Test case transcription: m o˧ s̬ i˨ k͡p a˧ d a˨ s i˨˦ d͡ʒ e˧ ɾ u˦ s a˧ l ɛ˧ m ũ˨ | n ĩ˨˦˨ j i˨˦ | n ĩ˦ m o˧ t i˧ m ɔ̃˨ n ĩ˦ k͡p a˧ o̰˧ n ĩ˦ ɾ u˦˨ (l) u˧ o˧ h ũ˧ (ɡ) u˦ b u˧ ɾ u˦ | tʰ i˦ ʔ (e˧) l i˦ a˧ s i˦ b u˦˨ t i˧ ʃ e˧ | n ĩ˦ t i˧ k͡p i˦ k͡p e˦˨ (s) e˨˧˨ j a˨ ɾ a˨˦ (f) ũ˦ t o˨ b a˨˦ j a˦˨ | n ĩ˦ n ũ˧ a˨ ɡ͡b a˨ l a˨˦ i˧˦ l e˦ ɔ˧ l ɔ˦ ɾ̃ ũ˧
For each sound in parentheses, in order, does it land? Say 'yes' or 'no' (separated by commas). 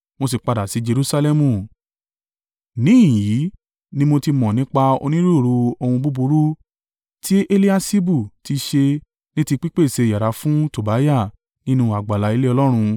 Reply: no, no, yes, yes, yes